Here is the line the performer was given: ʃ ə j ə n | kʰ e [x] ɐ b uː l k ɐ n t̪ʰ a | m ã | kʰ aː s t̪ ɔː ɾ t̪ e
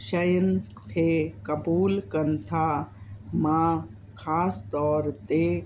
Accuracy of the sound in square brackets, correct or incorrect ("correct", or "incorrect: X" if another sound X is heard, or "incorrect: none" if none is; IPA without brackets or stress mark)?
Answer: incorrect: k